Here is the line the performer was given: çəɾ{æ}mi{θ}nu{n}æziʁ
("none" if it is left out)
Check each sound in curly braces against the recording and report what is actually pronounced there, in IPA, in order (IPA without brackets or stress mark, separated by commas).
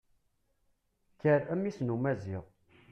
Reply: æ, s, m